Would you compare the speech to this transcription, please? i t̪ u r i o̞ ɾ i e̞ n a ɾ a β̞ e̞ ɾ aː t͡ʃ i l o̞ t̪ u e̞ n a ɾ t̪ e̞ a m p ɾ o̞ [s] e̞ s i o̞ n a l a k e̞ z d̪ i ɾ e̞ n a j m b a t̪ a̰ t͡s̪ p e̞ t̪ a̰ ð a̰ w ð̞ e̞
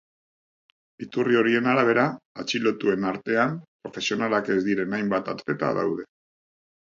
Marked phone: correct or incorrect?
incorrect